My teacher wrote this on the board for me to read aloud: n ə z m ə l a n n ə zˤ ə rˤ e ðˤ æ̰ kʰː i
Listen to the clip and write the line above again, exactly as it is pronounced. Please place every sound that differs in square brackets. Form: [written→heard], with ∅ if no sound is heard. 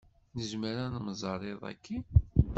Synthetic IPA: n ə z m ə [l→ɾ] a n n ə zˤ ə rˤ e ðˤ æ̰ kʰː i